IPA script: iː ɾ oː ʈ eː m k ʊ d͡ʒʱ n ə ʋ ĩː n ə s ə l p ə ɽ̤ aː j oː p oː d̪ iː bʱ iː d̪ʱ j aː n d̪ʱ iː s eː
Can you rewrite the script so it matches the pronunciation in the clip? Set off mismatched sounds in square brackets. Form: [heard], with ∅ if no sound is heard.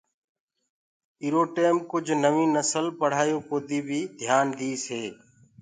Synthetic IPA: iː ɾ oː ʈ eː m k ʊ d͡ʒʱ n ə ʋ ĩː n ə s ə l p ə ɽ̤ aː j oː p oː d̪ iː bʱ iː d̪ʱ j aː n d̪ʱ iː s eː